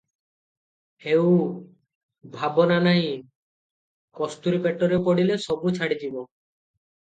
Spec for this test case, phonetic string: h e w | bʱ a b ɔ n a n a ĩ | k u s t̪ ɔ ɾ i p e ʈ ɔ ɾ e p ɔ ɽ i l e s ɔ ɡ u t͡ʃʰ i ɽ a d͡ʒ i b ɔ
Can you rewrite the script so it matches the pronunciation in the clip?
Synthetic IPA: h e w | bʱ a b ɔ n a n a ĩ | k ɔ s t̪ u ɾ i p e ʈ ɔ ɾ e p ɔ ɽ i l e s ɔ b u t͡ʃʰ a ɽ i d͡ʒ i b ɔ

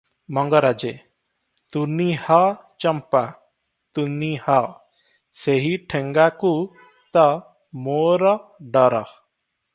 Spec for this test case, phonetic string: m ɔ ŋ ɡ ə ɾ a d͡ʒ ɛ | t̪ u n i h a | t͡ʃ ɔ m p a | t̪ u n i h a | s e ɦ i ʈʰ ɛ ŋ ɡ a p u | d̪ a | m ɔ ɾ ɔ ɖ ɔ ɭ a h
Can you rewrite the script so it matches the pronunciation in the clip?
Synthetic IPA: m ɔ ŋ ɡ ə ɾ a d͡ʒ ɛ | t̪ u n i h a | t͡ʃ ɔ m p a | t̪ u n i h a | s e ɦ i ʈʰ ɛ ŋ ɡ a k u | t̪ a | m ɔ ɾ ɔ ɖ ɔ ɾ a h

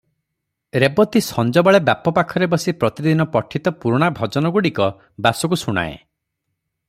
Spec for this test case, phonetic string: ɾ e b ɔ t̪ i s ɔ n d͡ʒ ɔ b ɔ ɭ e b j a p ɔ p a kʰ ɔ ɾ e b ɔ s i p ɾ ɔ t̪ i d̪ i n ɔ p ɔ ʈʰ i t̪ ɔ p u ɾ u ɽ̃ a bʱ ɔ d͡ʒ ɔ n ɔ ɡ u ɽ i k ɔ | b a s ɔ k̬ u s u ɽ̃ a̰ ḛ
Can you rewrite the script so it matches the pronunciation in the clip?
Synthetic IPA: ɾ e b ɔ t̪ i s ɔ n d͡ʒ ɔ b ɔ ɭ e b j a p ɔ p a kʰ ɔ ɾ e b ɔ s i p ɾ ɔ t̪ i d̪ i n ɔ p ɔ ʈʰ i t̪ ɔ p u ɾ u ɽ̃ a bʱ ɔ d͡ʒ ɔ n ɔ ɡ u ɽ i k ɔ | b a s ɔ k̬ u s u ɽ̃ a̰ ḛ

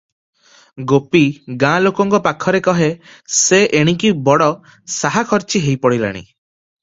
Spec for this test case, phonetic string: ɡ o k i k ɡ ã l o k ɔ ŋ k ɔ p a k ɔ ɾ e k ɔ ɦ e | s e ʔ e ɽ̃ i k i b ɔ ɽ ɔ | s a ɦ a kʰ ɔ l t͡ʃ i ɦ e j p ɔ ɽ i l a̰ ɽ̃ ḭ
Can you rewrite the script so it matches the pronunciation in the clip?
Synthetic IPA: ɡ o p i ɡ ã l o k ɔ ŋ k ɔ p a kʰ ɔ ɾ e k ɔ ɦ e | s e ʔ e ɽ̃ i k i b ɔ ɽ ɔ | s a ɦ a kʰ ɔ ɾ t͡ʃ i ɦ e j p ɔ ɽ i l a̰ ɽ̃ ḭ

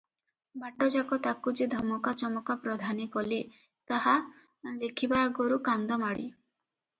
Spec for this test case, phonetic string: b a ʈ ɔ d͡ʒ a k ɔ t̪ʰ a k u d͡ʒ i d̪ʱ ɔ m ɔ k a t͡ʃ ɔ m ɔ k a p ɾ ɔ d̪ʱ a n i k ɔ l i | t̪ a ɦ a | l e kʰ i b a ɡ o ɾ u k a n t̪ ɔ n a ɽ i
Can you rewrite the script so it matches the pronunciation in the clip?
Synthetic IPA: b a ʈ ɔ d͡ʒ a k ɔ t̪ a k u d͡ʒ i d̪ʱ ɔ m ɔ k a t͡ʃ ɔ m ɔ k a p ɾ ɔ d̪ʱ a n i k ɔ l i | t̪ a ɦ a | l e kʰ i b a ɡ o ɾ u k a n d̪ ɔ m a ɽ i

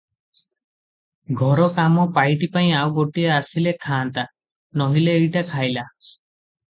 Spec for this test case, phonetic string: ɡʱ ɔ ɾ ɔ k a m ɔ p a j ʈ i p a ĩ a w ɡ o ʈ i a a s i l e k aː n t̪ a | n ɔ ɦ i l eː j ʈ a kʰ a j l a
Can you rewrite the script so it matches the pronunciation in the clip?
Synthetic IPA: ɡʱ ɔ ɾ ɔ k a m ɔ p a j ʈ i p a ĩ a w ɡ o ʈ i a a s i l e kʰ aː n t̪ a | n ɔ ɦ i l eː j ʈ a kʰ a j l a

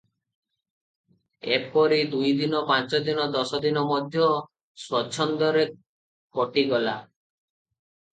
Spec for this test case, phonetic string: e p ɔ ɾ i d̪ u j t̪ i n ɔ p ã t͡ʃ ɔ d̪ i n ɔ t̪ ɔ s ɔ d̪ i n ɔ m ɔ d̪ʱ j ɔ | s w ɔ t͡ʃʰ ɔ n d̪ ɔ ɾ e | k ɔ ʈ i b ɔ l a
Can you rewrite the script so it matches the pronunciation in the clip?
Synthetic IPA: e p ɔ ɾ i d̪ u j d̪ i n ɔ p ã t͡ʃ ɔ d̪ i n ɔ d̪ ɔ s ɔ d̪ i n ɔ m ɔ d̪ʱ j ɔ | s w ɔ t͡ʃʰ ɔ n d̪ ɔ ɾ e | k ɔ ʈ i ɡ ɔ l a

